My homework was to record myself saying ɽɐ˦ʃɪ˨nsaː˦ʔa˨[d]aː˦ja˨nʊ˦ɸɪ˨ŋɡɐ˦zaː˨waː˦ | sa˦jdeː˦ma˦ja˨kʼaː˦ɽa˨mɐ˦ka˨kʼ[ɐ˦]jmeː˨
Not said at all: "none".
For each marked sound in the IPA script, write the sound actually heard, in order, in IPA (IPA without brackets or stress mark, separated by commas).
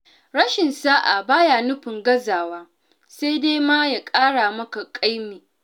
b, a˦